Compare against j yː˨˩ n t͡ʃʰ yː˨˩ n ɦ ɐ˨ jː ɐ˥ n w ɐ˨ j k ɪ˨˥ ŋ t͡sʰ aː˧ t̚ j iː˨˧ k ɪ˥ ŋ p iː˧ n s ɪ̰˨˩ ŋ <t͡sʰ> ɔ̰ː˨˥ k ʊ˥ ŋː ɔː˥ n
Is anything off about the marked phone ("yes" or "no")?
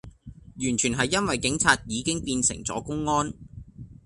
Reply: yes